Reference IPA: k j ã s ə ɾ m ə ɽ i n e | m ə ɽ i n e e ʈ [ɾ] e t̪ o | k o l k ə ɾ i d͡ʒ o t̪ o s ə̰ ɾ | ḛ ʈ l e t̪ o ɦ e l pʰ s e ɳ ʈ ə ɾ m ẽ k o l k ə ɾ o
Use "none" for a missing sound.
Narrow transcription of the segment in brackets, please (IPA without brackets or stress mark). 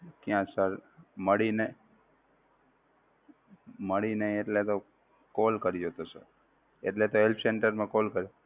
l